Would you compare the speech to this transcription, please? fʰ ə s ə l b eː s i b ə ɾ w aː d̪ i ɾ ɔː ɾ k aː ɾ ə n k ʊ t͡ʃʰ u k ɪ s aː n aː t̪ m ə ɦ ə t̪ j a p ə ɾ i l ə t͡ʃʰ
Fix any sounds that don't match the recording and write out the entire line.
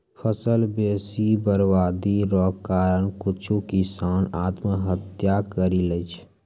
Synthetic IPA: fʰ ə s ə l b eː s i b ə ɾ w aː d̪ i ɾ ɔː k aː ɾ ə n k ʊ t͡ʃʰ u k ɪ s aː n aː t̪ m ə ɦ ə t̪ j a k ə ɾ i l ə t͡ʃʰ

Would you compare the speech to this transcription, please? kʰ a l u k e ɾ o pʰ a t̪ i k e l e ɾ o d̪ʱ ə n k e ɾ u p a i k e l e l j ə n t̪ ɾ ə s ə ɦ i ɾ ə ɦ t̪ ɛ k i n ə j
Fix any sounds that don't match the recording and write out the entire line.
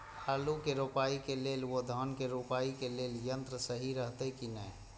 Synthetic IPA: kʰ a l u k e ɾ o p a i k e l e l o d̪ʱ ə n k e ɾ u p a i k e l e l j ə n t̪ ɾ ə s ə ɦ i ɾ ə ɦ t̪ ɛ k i n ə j

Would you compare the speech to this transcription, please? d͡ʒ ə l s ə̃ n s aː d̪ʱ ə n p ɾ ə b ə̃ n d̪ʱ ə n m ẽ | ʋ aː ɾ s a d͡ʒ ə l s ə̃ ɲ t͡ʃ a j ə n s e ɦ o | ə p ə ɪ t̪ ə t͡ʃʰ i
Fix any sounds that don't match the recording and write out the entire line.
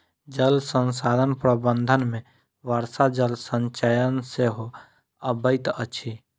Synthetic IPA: d͡ʒ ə l s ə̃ n s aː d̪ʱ ə n p ɾ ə b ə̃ n d̪ʱ ə n m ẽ | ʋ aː ɾ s a d͡ʒ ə l s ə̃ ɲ t͡ʃ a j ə n s e ɦ o | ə b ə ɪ t̪ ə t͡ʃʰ i

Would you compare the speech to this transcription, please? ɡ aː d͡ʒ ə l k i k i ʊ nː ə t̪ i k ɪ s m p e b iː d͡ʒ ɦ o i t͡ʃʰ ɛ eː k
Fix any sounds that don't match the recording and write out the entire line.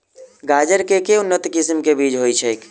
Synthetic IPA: ɡ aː d͡ʒ ə ɾ k e k e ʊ nː ə t̪ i k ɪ s m k e b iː d͡ʒ ɦ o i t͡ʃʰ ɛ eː k

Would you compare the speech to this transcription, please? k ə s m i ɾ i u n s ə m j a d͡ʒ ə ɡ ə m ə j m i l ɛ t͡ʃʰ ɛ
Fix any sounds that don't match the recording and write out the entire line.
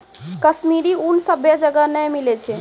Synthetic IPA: k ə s m i ɾ i u n s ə b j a d͡ʒ ə ɡ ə n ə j m i l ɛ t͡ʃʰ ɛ

